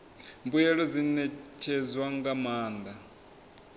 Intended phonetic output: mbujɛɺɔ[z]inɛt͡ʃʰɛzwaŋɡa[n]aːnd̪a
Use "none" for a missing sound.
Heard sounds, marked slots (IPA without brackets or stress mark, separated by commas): z, m